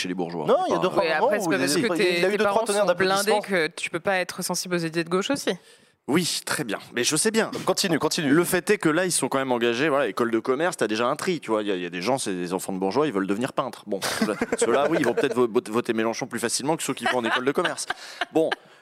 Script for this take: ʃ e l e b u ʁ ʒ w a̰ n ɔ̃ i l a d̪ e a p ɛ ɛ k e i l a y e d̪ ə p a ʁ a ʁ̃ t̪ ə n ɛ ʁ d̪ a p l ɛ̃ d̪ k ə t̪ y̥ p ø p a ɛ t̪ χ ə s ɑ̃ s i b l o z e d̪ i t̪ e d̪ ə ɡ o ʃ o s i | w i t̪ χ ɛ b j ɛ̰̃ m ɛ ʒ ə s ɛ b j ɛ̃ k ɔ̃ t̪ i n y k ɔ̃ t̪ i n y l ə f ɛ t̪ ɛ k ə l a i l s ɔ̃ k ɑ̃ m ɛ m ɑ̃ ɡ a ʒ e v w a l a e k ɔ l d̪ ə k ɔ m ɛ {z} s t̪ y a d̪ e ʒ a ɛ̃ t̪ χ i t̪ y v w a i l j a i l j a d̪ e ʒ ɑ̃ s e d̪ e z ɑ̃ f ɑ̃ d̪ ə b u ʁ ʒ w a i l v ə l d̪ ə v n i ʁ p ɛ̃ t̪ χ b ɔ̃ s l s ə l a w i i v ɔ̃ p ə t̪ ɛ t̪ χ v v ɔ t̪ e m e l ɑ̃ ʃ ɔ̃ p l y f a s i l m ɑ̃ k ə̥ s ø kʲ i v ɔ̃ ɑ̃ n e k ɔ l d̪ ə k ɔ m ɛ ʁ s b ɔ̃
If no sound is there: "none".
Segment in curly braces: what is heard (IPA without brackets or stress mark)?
ʁ